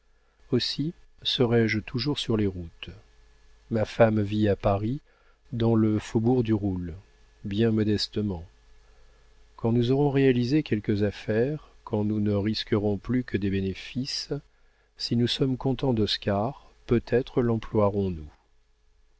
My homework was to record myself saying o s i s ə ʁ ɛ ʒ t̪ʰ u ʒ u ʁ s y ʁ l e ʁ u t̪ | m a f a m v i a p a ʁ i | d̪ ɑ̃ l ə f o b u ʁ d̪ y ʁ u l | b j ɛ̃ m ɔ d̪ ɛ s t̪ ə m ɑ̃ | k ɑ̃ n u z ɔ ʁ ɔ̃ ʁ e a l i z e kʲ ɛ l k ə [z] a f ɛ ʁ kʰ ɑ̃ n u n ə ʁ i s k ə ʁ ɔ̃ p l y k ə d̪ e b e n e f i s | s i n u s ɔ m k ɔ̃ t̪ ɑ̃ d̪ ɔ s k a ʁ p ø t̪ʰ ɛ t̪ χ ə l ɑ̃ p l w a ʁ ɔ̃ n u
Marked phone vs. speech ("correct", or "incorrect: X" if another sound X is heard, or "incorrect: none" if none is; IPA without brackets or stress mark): correct